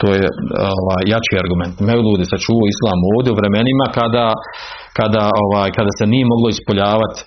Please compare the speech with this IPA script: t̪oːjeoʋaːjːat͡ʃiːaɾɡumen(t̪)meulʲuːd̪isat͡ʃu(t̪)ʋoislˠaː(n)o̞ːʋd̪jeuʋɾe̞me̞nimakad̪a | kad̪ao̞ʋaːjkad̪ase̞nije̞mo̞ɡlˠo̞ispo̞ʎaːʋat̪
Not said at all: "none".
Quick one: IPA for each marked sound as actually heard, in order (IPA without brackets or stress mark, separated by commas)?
t̪, none, m